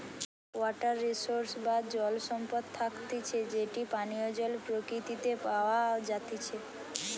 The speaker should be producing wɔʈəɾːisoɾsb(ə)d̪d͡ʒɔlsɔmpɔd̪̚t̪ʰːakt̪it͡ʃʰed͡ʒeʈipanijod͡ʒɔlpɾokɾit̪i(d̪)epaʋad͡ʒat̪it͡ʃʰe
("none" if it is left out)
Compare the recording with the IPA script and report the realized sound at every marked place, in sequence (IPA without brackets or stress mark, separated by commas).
a, t̪